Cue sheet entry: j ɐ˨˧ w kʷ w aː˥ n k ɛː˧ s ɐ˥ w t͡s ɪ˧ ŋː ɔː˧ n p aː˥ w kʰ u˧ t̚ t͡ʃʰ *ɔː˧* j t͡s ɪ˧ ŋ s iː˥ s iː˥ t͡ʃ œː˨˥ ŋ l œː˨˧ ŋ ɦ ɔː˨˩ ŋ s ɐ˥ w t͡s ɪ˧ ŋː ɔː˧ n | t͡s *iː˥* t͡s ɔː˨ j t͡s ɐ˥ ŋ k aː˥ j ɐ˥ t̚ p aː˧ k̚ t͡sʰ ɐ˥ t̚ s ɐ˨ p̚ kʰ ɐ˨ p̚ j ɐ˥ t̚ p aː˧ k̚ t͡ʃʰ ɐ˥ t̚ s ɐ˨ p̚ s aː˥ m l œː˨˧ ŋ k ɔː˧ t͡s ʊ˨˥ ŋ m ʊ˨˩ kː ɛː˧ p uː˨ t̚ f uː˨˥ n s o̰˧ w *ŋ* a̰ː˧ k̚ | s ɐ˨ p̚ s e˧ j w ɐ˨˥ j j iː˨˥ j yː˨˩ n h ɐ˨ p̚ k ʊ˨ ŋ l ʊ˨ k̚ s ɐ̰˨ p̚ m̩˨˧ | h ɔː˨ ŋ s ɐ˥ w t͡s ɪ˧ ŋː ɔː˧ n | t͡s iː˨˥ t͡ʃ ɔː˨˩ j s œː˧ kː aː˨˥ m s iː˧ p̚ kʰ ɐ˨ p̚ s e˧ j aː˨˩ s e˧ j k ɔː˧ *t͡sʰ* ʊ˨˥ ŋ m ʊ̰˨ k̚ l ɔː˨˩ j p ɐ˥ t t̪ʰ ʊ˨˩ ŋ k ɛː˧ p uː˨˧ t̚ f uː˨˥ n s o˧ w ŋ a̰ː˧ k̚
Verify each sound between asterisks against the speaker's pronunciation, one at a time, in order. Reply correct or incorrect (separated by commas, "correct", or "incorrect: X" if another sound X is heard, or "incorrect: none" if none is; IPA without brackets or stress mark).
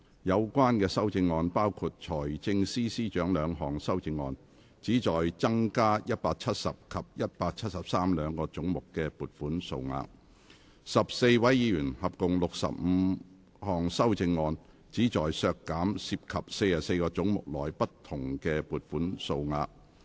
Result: incorrect: ɔː˨˩, incorrect: iː˨˥, correct, incorrect: t͡s